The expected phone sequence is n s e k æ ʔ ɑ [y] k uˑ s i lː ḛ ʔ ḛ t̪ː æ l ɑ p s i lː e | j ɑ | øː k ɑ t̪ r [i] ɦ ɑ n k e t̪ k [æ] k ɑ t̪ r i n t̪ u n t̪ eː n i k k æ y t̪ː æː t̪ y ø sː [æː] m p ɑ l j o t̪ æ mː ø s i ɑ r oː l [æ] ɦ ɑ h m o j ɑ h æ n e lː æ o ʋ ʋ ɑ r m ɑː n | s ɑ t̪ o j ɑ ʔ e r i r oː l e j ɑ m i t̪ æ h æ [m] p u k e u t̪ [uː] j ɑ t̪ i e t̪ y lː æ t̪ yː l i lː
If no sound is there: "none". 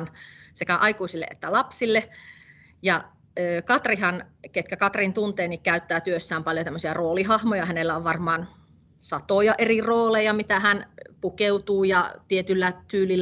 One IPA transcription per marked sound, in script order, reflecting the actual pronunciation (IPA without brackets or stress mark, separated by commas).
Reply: i, i, æ, æː, i, n, uː